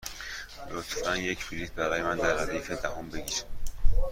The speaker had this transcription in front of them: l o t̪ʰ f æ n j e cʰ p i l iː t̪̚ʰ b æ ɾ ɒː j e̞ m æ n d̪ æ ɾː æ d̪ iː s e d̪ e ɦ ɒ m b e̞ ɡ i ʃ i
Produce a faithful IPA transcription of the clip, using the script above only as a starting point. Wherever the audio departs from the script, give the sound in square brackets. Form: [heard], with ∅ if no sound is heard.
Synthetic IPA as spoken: l o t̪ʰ f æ n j e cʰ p i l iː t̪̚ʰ b æ ɾ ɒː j e̞ m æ n d̪ æ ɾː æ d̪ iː [f] e d̪ [æ] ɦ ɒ m b e̞ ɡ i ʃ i